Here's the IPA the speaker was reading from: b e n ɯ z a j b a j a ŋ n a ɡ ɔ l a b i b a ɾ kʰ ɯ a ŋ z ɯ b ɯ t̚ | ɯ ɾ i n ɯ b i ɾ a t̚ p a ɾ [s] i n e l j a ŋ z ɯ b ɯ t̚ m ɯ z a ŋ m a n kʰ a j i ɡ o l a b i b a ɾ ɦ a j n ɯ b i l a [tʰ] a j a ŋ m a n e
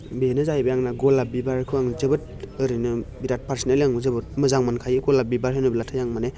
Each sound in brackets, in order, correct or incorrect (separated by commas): correct, correct